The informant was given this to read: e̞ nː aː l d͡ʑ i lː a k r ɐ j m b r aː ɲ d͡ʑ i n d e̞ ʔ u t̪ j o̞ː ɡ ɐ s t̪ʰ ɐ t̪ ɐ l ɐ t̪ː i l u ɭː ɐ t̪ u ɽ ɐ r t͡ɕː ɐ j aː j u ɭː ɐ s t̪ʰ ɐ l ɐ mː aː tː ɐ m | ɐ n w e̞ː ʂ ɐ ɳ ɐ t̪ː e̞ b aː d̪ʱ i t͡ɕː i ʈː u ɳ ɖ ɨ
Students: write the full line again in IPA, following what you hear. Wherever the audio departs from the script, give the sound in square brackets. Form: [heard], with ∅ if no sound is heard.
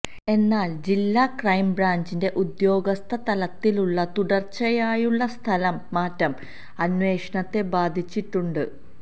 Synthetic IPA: e̞ nː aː l d͡ʑ i lː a k r ɐ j m b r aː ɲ d͡ʑ i n d e̞ ʔ u [d̪] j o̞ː ɡ ɐ s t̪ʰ ɐ t̪ ɐ l ɐ t̪ː i l u ɭː ɐ t̪ u ɽ ɐ r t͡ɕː ɐ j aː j u ɭː ɐ s t̪ʰ ɐ l ɐ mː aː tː ɐ m | ɐ n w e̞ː ʂ ɐ ɳ ɐ t̪ː e̞ b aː d̪ʱ i t͡ɕː i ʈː u ɳ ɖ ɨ